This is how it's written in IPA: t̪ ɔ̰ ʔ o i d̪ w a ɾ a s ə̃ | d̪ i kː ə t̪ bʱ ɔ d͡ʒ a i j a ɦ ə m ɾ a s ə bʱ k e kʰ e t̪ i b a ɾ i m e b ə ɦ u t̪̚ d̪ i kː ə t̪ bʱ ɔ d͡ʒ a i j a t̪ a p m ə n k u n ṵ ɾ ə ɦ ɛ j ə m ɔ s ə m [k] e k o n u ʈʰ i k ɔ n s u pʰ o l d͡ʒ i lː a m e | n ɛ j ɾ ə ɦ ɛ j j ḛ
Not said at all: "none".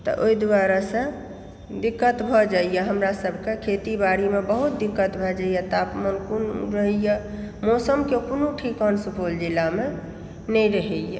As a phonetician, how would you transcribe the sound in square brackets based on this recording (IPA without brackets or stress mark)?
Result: k